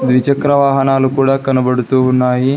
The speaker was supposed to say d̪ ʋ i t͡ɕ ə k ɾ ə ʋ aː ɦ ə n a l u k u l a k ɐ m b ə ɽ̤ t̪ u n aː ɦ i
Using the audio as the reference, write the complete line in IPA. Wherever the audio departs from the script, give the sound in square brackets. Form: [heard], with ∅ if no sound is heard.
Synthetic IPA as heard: d̪ ʋ i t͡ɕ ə k ɾ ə ʋ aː ɦ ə n a l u k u [ɽ] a k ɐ [n] b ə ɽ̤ t̪ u n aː ɦ i